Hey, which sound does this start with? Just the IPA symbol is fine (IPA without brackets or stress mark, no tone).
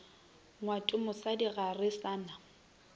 ŋ